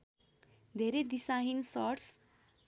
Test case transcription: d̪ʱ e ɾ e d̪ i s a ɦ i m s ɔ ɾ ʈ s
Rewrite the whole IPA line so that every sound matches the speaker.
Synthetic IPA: d̪ʱ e ɾ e d̪ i s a ɦ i n s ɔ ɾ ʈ s